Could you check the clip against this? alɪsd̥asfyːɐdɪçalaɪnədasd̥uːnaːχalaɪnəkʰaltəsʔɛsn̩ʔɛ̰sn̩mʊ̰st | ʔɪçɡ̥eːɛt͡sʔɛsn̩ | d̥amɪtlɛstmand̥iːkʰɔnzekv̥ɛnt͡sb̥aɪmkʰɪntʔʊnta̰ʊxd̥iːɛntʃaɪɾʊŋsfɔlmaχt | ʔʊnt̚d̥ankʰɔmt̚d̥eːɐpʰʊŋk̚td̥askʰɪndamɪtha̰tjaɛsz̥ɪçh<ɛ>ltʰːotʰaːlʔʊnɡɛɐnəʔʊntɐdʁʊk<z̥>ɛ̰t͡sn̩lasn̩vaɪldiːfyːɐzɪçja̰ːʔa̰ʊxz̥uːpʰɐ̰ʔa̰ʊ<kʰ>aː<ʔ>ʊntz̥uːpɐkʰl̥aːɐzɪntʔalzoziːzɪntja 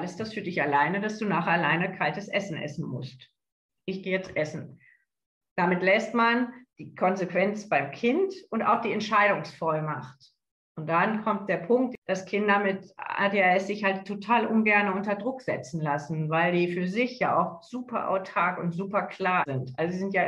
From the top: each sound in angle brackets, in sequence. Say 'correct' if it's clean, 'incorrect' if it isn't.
incorrect, correct, incorrect, incorrect

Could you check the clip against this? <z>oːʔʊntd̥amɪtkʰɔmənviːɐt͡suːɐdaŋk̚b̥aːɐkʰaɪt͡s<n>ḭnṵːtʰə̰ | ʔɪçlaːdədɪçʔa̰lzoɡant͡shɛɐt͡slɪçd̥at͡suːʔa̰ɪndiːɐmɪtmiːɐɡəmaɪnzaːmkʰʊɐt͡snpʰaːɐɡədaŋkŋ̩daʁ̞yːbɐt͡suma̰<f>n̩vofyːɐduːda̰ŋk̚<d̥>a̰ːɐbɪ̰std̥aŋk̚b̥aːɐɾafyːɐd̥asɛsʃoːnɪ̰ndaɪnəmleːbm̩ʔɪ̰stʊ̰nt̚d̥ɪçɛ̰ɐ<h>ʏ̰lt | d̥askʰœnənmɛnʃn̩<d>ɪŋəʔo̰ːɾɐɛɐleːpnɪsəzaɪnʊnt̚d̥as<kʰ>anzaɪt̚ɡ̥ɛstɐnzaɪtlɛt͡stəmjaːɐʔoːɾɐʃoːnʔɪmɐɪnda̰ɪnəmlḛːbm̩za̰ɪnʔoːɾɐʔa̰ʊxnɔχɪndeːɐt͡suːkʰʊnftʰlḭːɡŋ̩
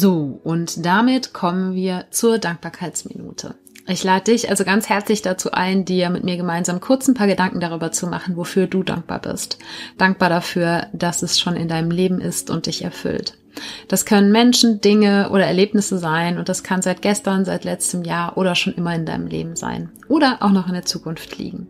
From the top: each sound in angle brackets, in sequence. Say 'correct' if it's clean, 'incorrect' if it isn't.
correct, incorrect, incorrect, incorrect, incorrect, correct, correct

